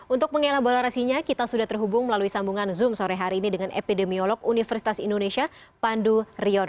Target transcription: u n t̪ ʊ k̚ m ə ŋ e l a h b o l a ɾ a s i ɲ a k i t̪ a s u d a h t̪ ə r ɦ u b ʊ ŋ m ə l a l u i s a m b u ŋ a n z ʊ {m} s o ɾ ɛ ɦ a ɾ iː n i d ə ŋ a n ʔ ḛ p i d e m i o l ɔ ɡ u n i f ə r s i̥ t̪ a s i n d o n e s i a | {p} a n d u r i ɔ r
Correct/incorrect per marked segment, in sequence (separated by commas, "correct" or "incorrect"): correct, correct